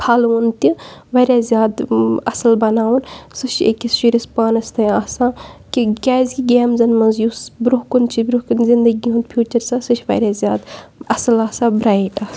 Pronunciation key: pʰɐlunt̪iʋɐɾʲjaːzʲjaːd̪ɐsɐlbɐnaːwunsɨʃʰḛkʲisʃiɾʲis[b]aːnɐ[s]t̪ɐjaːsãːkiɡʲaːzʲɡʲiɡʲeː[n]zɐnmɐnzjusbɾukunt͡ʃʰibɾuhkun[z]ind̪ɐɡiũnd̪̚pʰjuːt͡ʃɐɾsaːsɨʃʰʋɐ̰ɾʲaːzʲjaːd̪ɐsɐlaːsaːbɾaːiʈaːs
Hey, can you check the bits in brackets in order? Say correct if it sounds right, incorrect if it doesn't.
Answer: incorrect: p, correct, incorrect: m, correct

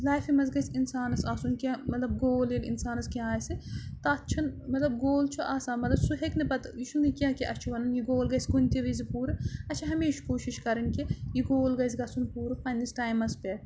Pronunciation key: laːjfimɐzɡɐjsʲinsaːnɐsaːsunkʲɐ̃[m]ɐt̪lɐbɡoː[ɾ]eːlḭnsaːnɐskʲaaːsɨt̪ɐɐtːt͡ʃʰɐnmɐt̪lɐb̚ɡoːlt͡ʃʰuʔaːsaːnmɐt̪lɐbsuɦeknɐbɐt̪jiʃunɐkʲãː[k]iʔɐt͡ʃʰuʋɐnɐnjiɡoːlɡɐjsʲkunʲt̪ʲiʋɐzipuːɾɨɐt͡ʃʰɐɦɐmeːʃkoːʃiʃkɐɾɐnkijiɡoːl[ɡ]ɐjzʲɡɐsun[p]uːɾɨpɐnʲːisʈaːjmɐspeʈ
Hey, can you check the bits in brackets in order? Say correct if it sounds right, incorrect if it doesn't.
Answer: correct, incorrect: l, correct, correct, correct

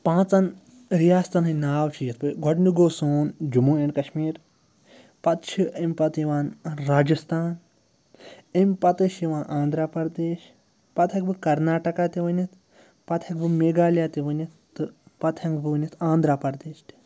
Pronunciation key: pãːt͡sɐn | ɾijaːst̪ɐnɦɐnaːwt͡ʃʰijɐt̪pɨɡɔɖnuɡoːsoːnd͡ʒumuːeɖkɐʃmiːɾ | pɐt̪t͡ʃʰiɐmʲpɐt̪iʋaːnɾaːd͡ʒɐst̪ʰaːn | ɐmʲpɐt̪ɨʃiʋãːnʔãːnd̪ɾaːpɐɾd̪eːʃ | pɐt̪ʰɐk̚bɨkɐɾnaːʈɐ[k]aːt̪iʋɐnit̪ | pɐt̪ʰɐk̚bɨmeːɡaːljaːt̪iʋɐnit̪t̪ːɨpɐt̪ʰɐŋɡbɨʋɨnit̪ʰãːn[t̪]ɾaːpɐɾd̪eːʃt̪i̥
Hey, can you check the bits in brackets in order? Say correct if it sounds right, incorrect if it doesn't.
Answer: correct, incorrect: d̪

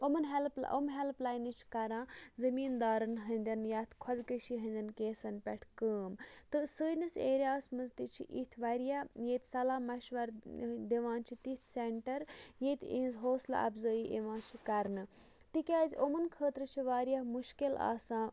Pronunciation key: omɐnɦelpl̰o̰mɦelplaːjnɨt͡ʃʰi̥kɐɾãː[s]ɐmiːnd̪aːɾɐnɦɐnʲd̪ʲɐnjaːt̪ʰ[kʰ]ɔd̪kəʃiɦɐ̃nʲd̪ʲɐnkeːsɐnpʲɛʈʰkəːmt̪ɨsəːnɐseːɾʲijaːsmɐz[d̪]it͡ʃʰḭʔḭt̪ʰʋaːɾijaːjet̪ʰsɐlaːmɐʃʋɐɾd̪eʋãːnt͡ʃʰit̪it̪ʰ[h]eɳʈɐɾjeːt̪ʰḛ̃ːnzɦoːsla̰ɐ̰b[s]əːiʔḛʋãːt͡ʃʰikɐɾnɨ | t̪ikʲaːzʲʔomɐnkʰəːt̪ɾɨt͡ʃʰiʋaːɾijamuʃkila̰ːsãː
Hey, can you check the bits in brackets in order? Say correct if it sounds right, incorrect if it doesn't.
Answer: incorrect: z, correct, incorrect: t̪, incorrect: s, incorrect: z

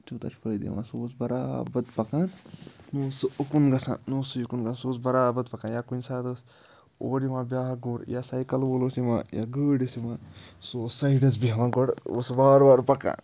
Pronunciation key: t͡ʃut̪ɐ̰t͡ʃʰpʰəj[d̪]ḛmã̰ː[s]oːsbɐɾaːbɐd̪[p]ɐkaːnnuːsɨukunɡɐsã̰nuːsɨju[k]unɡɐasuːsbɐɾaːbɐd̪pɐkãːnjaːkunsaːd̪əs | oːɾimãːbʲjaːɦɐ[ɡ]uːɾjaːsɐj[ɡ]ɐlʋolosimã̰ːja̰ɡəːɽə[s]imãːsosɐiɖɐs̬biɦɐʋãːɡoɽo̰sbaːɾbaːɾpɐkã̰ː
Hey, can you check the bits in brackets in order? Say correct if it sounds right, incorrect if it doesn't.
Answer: correct, correct, correct, correct, correct, incorrect: k, correct

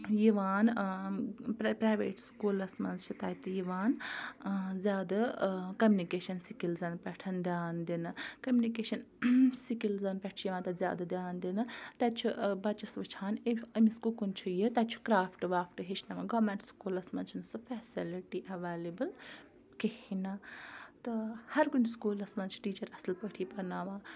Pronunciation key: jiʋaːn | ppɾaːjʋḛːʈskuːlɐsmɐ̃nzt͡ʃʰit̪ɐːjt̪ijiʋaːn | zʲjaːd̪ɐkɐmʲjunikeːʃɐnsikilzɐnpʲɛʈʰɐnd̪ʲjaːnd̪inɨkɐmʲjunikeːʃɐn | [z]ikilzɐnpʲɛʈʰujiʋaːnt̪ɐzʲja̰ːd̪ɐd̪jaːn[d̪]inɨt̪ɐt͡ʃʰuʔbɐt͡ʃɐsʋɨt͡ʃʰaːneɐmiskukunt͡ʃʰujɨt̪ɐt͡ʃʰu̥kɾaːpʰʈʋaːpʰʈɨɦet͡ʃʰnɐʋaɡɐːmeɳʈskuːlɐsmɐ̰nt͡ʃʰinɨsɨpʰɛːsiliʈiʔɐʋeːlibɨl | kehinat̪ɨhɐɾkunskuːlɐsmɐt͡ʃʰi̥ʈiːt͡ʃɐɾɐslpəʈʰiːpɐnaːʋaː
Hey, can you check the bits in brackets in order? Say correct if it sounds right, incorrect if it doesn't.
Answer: incorrect: s, correct

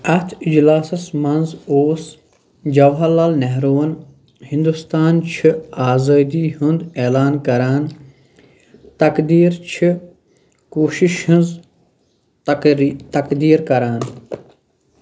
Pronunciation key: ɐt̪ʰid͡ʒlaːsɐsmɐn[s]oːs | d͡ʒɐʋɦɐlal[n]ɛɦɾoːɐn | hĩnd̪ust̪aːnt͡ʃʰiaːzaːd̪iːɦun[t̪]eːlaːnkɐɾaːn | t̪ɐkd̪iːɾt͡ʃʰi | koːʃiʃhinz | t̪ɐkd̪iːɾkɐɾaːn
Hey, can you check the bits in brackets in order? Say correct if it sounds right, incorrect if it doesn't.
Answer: incorrect: z, correct, incorrect: d̪

